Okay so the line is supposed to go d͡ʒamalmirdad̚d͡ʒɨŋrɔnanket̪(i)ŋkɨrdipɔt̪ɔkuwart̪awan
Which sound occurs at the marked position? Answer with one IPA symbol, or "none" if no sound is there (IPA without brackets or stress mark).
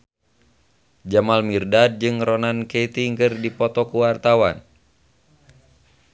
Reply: i